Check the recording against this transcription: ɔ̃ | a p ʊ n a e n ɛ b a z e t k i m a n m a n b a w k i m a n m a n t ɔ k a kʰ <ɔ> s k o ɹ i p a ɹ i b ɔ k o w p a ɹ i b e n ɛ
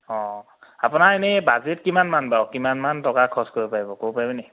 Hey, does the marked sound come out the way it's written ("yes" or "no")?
yes